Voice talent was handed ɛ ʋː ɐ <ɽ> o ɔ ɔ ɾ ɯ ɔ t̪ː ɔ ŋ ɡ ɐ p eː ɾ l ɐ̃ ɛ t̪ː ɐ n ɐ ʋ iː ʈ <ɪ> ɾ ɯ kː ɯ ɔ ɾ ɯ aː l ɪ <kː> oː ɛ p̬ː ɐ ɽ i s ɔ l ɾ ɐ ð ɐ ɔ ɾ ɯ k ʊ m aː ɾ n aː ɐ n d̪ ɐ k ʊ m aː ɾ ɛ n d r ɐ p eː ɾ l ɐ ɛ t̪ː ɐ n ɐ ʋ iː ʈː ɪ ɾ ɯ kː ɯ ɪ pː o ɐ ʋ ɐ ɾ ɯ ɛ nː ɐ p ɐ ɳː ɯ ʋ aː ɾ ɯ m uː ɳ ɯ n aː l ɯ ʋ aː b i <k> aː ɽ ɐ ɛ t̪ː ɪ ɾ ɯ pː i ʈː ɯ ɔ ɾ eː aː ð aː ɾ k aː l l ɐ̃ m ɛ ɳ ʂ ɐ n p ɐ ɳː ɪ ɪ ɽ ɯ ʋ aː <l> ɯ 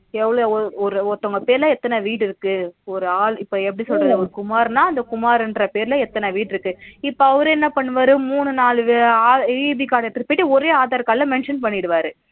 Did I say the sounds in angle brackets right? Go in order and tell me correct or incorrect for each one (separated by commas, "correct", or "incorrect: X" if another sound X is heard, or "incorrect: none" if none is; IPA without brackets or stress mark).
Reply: incorrect: ɭ, correct, incorrect: pː, correct, incorrect: ɾ